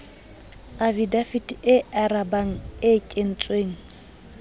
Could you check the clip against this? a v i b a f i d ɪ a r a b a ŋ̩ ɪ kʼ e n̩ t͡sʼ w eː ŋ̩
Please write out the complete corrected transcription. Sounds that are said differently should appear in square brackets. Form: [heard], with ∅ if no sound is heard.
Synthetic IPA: a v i [d] a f i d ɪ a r a b a ŋ̩ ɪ kʼ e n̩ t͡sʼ w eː ŋ̩